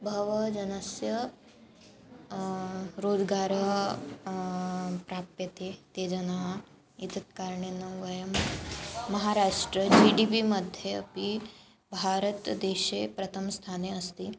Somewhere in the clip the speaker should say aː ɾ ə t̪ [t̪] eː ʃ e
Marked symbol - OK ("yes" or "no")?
no